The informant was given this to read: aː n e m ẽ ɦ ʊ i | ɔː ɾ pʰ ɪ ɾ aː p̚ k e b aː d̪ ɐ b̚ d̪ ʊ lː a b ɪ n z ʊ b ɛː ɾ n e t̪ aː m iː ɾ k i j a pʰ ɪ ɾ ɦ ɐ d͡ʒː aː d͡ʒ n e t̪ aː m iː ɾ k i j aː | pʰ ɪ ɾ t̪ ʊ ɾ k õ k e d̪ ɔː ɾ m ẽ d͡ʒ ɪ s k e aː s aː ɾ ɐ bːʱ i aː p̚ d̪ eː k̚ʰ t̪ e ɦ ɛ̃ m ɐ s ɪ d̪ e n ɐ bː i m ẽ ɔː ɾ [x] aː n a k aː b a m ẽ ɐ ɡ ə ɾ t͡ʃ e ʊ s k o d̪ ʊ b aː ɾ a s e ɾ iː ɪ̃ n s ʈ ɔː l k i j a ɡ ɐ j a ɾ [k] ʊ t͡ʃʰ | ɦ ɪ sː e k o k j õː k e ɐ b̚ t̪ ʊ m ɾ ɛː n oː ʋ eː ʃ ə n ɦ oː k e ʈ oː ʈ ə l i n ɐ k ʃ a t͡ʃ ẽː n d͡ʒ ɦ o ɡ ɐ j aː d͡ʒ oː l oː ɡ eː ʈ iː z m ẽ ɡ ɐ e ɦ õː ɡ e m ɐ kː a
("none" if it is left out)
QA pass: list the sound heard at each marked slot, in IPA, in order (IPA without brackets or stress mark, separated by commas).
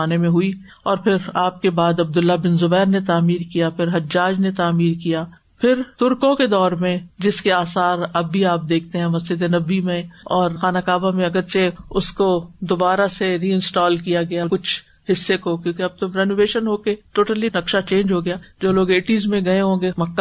x, k